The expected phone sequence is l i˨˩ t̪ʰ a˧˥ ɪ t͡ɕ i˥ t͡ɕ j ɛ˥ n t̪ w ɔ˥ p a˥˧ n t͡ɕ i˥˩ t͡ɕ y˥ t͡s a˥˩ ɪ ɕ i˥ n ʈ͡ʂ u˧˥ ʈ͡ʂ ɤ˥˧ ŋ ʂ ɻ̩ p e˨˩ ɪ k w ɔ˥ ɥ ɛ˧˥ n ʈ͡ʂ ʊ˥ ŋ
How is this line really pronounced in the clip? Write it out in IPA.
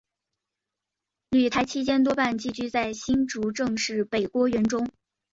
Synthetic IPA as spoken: l y˨˩ t̪ʰ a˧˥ ɪ t͡ɕʰ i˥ t͡ɕ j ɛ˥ n t̪ w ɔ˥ p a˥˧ n t͡ɕ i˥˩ t͡ɕ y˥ t͡s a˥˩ ɪ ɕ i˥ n ʈ͡ʂ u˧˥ ʈ͡ʂ ɤ˥˧ ŋ ʂ ɻ̩ p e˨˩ ɪ k w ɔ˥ ɥ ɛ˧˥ n ʈ͡ʂ ʊ˥ ŋ